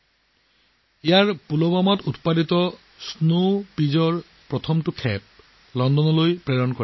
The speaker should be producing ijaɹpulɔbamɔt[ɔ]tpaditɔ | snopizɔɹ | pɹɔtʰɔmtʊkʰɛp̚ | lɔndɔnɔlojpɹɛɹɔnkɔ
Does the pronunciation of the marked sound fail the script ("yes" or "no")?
yes